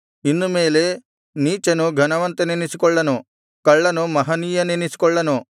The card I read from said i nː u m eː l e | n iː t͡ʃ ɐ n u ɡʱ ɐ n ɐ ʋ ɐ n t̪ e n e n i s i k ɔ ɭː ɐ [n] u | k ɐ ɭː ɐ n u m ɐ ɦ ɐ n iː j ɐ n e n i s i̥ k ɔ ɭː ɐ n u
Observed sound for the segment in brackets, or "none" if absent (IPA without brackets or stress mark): n